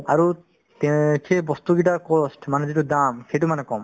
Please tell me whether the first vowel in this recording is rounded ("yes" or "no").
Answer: no